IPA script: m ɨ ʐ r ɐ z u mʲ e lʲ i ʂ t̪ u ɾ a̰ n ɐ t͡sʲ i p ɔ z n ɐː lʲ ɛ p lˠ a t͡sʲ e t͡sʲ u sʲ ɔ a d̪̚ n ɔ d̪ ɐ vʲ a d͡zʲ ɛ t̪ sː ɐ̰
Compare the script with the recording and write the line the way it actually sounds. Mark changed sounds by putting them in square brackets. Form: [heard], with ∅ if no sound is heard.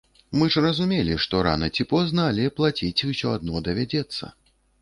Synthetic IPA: m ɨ ʐ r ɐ z u mʲ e lʲ i ʂ t̪ [ɔ] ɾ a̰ n ɐ t͡sʲ i p ɔ z n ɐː lʲ ɛ p lˠ a t͡sʲ [i] t͡sʲ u sʲ ɔ a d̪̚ n ɔ d̪ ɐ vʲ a d͡zʲ ɛ t̪ sː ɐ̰